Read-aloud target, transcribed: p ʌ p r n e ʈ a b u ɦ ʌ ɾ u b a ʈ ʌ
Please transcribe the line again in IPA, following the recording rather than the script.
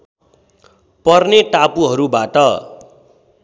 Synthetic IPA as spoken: p ʌ r n e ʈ a p u ɦ ʌ ɾ u b a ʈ ʌ